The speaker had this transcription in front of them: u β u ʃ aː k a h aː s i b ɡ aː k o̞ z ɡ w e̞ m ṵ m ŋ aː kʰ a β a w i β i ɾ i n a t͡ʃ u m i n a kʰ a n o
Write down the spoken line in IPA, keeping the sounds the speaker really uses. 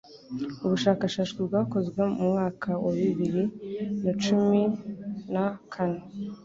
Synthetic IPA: u β u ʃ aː k a ʃ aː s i b ɡ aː k o̞ z ɡ w e̞ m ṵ m ŋ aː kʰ a w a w i β i ɾ i n a t͡ʃ u m i n a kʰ a n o